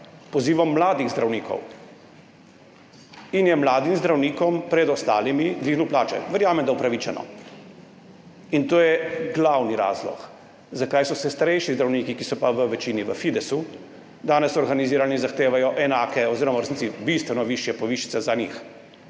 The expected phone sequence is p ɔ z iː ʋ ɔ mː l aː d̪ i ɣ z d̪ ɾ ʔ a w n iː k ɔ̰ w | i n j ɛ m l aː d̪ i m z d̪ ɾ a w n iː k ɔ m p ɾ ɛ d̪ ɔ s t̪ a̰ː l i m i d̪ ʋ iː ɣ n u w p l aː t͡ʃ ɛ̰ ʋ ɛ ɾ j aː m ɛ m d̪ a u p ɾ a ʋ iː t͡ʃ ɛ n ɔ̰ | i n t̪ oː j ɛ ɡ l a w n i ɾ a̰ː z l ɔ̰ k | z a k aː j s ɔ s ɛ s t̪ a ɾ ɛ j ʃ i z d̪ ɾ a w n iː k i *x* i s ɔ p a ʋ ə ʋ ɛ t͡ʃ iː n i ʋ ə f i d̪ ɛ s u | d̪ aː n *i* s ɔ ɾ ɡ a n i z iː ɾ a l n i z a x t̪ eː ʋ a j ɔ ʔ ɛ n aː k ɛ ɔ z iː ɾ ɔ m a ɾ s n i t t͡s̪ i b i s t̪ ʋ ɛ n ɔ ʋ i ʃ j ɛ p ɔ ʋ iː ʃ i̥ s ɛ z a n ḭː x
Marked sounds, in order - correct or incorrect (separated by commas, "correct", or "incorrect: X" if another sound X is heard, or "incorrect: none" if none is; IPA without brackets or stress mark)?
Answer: incorrect: k, incorrect: ɛ